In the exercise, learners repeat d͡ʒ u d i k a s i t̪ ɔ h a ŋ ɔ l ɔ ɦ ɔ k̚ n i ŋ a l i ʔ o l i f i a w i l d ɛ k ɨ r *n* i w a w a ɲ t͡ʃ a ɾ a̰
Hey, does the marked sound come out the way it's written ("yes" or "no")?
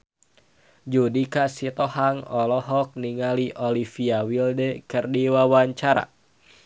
no